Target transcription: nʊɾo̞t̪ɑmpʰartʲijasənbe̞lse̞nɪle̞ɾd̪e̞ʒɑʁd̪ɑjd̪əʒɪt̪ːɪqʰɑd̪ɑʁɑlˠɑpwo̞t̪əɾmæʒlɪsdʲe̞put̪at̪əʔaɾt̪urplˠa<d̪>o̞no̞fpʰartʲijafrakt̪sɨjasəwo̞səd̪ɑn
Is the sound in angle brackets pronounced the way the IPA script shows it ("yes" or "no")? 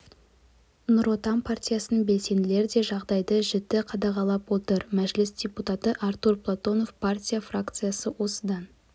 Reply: no